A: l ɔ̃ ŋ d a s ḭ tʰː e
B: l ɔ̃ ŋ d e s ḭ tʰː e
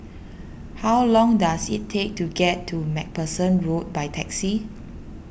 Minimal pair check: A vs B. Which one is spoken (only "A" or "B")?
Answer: A